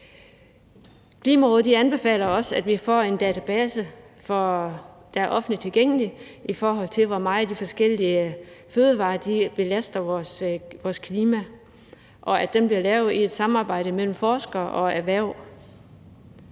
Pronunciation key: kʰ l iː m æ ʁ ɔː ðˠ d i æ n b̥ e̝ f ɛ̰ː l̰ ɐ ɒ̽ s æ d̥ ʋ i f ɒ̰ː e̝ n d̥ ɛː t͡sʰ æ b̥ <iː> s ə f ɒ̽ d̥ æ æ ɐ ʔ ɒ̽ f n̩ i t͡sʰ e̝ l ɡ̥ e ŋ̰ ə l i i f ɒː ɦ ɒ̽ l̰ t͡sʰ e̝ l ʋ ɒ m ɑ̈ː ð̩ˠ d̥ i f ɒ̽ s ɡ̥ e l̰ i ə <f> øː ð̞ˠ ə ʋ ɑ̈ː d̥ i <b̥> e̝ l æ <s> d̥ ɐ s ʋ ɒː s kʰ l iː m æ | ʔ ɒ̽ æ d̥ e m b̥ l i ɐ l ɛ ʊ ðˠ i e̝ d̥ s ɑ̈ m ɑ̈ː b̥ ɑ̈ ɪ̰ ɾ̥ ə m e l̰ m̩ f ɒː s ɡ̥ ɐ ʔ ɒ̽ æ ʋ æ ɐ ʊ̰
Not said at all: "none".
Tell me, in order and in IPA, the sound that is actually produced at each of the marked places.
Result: ɛː, f, b̥, s

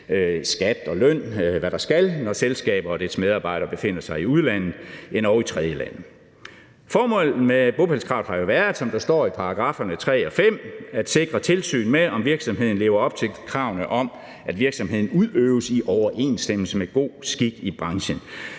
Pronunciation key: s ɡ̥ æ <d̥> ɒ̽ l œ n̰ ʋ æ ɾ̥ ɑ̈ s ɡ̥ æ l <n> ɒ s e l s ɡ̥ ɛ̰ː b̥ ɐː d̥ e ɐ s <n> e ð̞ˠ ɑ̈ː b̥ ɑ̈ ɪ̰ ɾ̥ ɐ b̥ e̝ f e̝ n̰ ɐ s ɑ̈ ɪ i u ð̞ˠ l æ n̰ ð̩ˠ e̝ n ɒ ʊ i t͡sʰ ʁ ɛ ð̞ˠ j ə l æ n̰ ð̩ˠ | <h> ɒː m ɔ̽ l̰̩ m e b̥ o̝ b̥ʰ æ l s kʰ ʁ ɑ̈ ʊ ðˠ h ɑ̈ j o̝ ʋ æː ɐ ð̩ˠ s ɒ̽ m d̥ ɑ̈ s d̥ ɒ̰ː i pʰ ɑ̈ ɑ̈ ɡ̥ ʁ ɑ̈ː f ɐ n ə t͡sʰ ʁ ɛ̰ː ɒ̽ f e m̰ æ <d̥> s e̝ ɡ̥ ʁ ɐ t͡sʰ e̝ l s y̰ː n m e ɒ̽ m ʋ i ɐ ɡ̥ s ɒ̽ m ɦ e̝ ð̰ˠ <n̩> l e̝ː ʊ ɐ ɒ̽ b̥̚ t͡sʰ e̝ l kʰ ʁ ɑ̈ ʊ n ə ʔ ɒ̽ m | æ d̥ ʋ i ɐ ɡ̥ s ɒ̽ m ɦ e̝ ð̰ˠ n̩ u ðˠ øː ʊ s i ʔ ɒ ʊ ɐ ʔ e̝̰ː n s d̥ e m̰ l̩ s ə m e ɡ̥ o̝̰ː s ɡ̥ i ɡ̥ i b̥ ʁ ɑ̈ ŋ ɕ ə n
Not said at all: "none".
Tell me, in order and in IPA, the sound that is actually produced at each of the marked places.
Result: d̥, n, m, f, d̥, n̩

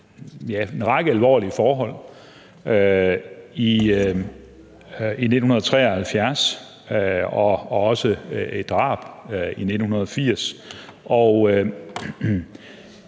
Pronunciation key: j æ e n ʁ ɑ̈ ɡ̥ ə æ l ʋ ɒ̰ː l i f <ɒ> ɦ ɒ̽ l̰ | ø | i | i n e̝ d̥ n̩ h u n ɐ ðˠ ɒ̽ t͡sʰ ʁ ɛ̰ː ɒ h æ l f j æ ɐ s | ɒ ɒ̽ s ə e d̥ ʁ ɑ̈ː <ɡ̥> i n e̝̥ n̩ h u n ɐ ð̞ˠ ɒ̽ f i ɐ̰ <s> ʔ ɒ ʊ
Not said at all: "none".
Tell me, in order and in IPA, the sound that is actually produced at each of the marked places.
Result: ɒː, b̥, s

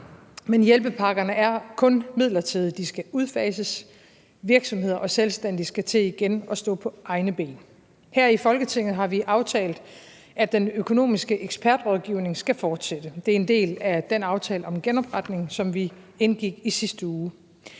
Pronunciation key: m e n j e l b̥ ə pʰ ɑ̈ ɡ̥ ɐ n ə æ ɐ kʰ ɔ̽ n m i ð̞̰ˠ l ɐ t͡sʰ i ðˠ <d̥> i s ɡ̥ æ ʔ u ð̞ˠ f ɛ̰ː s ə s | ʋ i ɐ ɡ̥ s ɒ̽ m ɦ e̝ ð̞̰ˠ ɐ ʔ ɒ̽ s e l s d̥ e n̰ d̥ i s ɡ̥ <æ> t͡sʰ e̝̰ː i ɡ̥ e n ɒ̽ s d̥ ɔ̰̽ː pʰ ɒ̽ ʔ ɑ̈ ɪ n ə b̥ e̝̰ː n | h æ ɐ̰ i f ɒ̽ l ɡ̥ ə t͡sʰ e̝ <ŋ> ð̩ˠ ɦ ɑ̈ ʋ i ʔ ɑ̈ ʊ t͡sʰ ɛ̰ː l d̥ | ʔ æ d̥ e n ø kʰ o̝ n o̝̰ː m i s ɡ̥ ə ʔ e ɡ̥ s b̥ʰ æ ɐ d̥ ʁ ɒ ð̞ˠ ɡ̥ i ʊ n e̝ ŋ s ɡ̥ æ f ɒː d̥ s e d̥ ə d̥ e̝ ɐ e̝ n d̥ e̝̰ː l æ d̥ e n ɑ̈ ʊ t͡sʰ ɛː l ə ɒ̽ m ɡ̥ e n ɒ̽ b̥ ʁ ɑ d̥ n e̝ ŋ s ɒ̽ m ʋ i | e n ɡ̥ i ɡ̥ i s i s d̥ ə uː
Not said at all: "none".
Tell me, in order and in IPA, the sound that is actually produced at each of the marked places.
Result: d̥, æ, ŋ

